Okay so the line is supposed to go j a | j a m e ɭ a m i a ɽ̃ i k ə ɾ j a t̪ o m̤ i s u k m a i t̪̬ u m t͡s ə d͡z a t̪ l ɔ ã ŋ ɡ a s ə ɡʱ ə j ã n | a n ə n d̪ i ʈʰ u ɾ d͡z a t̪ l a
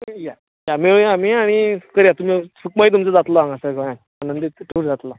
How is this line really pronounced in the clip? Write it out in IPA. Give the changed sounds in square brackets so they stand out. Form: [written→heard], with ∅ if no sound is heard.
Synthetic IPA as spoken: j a | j a m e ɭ a m i a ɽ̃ i k ə ɾ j a t̪ [o→u] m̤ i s u k m a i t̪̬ u m t͡s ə d͡z a t̪ l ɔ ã ŋ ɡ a s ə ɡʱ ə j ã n | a n ə n d̪ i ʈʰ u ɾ d͡z a t̪ l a

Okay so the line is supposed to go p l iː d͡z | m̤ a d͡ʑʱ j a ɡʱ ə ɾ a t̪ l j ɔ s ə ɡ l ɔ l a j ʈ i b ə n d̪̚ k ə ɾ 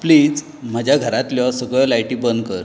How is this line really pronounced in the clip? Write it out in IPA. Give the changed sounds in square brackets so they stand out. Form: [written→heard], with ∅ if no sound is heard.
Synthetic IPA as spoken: p l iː d͡z | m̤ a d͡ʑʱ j a ɡʱ ə ɾ a t̪ l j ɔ s ə ɡ [l→ɭ] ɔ l a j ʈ i b ə n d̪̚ k ə ɾ

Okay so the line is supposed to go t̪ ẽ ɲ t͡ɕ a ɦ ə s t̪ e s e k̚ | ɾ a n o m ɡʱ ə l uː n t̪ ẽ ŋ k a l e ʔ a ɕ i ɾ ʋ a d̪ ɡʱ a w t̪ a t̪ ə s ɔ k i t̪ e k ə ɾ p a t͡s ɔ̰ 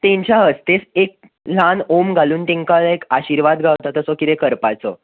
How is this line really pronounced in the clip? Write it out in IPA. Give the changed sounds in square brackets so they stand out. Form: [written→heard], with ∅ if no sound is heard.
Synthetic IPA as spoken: t̪ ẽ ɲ t͡ɕ a ɦ ə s t̪ e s e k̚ | [ɾ→l] a n o m ɡʱ [ə→a] l uː n t̪ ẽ ŋ k a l e [ʔ→k] a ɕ i ɾ ʋ a d̪ ɡʱ a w t̪ a t̪ ə s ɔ k i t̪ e k ə ɾ p a t͡s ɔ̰

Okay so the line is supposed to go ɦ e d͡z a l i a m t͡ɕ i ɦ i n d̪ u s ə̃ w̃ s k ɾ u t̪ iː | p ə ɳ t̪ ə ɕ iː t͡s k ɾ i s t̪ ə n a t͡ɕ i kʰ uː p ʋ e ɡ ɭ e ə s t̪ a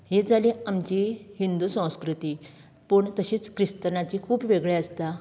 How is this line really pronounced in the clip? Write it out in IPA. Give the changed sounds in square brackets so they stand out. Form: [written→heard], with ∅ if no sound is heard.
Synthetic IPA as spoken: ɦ e d͡z a l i a m t͡ɕ i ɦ i n d̪ u s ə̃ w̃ s k ɾ u t̪ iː | p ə ɳ t̪ ə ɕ iː t͡s k ɾ i s t̪ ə n a t͡ɕ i kʰ uː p ʋ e ɡ ɭ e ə s t̪ a

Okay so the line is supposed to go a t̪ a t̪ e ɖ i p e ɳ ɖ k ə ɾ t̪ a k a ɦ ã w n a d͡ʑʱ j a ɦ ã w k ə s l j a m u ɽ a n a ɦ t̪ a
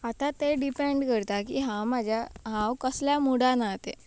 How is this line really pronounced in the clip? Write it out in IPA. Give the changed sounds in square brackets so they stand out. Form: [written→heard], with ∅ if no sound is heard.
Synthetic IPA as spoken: a t̪ a t̪ e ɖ i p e ɳ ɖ k ə ɾ t̪ a k [a→i] ɦ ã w [n→m] a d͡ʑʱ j a ɦ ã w k ə s l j a m u ɽ a n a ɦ t̪ [a→e]

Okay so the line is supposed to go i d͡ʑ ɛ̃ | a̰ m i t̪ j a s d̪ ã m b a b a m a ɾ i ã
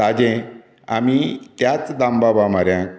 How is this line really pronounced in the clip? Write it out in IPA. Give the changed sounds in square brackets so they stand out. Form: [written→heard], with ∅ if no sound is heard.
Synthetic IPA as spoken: [i→a] d͡ʑ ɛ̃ | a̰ m i t̪ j a [s→t͡s] d̪ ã m b a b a m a ɾ [i→j] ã

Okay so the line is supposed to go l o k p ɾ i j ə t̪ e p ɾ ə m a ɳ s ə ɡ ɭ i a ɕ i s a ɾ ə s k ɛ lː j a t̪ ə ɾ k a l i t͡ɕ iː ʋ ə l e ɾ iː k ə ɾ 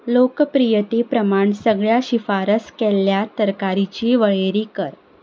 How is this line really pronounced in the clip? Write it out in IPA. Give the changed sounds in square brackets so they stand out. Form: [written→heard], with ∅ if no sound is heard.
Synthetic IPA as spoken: l o k p ɾ i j ə t̪ e p ɾ ə m a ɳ s ə ɡ ɭ [i→j] a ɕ i [s→f] a ɾ ə s k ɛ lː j a t̪ ə ɾ k a [l→ɾ] i t͡ɕ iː ʋ ə [l→ɭ] e ɾ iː k ə ɾ

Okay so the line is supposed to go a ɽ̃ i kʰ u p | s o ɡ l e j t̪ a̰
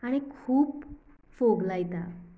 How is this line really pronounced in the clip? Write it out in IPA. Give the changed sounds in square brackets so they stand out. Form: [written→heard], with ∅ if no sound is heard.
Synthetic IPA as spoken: a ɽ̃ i kʰ [u→uː] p | [s→f] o ɡ l [e→a] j t̪ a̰

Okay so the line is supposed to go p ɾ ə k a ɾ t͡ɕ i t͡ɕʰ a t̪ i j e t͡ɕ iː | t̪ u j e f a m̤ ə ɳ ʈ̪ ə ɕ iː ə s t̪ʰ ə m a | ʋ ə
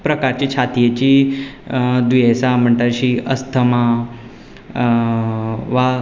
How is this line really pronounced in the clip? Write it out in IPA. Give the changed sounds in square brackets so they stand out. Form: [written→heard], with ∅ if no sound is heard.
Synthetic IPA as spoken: p ɾ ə k a ɾ t͡ɕ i t͡ɕʰ a t̪ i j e t͡ɕ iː | [t̪→d̪] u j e [f→s] a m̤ ə ɳ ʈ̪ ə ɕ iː ə s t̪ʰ ə m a | ʋ [ə→a]

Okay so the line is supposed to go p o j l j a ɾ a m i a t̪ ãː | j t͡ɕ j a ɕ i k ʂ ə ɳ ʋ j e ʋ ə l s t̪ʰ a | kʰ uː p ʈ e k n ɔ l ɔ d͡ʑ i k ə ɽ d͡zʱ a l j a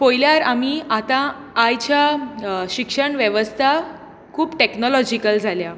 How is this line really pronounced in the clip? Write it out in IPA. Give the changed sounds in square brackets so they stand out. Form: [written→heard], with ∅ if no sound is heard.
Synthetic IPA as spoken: p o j l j a ɾ a m i a t̪ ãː | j t͡ɕ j a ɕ i k ʂ ə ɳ ʋ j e ʋ ə [l→∅] s t̪ʰ a | kʰ uː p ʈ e k n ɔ l ɔ d͡ʑ i k ə [ɽ→l] d͡zʱ a l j a

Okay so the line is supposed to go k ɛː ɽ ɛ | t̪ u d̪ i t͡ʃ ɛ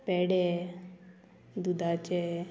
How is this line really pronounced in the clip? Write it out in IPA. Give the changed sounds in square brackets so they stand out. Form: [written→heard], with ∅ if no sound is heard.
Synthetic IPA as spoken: [k→p] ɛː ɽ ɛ | [t̪→d̪] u d̪ [i→a] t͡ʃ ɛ

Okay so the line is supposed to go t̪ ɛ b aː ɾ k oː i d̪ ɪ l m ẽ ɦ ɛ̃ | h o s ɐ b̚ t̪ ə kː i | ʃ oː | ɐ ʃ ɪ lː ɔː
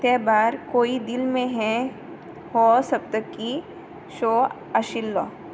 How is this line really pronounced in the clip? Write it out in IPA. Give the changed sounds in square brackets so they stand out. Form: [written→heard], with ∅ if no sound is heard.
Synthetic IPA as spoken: t̪ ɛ b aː ɾ k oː i d̪ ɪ l m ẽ ɦ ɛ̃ | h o s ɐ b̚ t̪ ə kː i | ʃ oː | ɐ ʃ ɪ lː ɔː

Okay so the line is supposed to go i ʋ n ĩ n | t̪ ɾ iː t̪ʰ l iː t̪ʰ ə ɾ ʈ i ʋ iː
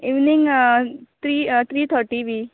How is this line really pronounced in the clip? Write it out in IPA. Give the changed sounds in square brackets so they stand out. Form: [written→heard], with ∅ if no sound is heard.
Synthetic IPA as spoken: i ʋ n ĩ [n→ŋ] | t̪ ɾ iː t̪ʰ [l→ɾ] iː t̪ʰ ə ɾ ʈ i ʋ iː

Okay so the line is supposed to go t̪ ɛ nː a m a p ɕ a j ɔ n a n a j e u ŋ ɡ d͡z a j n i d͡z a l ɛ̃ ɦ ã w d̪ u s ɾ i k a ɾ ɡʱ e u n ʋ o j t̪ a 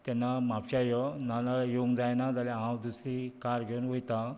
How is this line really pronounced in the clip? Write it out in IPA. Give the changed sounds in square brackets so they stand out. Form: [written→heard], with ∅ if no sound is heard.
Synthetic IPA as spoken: t̪ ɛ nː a m a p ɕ a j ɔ n a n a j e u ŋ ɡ d͡z a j n [i→a] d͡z a l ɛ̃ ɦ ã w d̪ u s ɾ i k a ɾ ɡʱ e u n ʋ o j t̪ a

